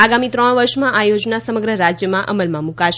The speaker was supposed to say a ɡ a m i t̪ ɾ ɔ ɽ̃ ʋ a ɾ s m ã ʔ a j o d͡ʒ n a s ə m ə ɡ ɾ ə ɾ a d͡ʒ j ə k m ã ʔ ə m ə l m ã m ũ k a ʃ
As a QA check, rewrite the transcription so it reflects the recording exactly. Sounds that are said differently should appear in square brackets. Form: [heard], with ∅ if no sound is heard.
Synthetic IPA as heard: a ɡ a m i t̪ ɾ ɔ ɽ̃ ʋ [ə] ɾ [ʃ] m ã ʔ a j o d͡ʒ n a s ə m ə ɡ ɾ ə ɾ a d͡ʒ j ə [∅] m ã ʔ ə m ə l m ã m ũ k a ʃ